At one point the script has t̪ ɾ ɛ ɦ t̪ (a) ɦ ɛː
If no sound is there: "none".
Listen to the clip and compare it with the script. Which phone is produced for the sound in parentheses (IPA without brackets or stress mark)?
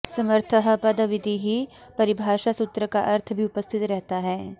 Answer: a